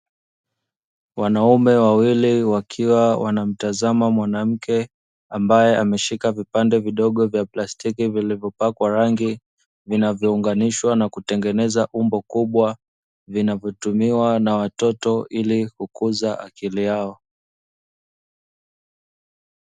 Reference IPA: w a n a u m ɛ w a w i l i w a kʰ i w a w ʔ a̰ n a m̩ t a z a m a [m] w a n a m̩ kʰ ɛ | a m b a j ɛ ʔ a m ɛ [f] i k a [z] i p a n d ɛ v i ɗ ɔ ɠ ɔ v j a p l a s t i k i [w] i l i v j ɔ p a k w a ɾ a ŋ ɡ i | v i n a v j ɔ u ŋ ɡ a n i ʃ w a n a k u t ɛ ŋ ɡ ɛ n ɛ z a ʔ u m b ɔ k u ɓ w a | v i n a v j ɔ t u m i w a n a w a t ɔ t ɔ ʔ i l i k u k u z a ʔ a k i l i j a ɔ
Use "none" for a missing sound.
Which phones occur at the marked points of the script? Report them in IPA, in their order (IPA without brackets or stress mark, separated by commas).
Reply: m, ʃ, v, v